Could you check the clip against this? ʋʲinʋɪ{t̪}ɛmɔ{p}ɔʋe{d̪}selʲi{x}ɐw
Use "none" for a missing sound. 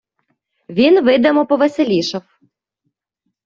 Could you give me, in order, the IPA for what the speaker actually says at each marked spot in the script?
d̪, p, none, ʃ

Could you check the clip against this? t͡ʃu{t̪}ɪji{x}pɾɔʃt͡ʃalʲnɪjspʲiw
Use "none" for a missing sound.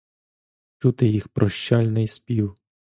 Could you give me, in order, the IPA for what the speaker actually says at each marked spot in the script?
t̪, x

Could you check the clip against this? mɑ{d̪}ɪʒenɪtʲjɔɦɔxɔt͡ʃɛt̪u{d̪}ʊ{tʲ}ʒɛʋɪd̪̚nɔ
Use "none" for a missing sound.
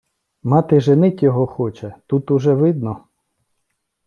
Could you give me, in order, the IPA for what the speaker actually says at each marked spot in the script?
t̪, t̪, none

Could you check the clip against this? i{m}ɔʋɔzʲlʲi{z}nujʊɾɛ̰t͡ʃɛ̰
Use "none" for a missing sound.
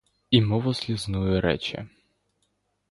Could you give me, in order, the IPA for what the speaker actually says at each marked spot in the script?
m, z

